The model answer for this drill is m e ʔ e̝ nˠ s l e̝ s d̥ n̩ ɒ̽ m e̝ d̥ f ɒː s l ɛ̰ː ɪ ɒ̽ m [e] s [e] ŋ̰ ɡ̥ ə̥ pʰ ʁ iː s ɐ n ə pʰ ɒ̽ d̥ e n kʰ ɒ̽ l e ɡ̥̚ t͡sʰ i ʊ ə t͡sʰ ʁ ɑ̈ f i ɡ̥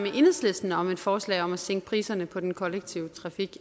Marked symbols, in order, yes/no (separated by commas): no, yes